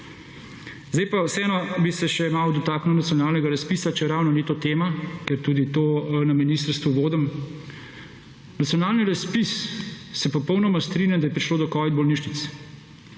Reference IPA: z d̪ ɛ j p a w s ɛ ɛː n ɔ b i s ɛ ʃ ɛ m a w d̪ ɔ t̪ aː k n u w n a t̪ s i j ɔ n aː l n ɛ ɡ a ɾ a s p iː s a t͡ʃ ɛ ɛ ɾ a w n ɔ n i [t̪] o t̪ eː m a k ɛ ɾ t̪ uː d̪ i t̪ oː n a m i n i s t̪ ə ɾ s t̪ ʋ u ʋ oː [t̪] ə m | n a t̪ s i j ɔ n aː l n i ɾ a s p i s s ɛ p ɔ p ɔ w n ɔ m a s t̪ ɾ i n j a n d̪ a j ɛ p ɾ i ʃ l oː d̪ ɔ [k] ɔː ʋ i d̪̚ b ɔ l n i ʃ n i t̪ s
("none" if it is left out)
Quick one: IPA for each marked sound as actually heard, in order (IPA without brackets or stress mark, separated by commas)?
t̪, d̪, k